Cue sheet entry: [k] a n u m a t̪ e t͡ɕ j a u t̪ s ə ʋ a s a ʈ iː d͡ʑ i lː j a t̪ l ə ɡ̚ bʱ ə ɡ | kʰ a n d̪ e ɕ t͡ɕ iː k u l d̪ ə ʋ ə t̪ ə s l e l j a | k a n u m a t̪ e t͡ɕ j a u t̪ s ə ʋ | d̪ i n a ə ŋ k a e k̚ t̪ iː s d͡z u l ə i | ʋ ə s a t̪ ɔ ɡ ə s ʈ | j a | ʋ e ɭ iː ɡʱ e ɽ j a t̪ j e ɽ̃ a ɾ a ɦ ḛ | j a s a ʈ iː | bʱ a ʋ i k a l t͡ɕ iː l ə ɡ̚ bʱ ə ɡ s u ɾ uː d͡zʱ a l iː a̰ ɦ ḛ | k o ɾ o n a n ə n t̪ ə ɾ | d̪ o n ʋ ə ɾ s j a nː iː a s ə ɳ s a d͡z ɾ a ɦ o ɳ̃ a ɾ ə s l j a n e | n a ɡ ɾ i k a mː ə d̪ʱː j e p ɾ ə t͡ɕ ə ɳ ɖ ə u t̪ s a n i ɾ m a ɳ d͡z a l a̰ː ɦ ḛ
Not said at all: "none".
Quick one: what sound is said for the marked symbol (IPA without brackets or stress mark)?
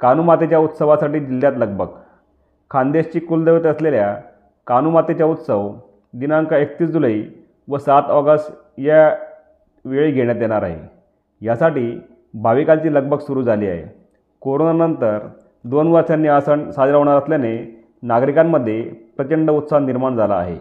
k